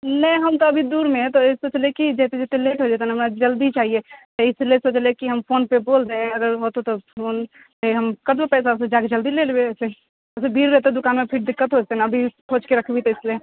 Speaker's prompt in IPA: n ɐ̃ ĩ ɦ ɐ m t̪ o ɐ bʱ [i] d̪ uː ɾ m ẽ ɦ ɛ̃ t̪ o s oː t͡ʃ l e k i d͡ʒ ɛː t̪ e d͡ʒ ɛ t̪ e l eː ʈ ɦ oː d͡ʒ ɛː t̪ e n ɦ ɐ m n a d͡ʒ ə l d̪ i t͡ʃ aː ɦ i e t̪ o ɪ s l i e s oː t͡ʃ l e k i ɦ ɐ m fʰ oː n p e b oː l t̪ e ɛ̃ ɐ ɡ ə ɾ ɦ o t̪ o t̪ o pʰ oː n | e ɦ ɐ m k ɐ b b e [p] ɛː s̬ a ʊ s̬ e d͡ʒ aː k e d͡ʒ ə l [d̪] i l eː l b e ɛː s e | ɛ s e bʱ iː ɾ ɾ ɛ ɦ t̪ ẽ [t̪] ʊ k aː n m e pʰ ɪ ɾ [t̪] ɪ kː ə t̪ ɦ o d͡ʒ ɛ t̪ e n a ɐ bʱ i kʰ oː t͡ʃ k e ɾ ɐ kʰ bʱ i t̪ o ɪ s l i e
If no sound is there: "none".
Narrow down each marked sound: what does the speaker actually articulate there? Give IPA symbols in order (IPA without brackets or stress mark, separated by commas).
i, p, d̪, d̪, d̪